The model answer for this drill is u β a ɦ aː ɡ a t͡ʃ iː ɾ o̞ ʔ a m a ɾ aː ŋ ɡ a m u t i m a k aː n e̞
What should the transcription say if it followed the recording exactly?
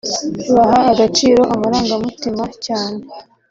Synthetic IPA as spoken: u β a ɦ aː ɡ a t͡ʃ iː ɾ o̞ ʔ a m a ɾ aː ŋ ɡ a m u t i m a c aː n e̞